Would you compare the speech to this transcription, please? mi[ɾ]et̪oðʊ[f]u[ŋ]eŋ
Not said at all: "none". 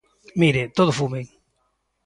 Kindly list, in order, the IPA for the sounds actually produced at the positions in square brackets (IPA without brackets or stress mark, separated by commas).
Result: ɾ, f, m